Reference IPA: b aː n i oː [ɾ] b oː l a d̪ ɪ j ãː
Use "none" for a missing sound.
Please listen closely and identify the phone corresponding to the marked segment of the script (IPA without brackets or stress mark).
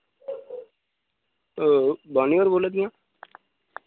ɾ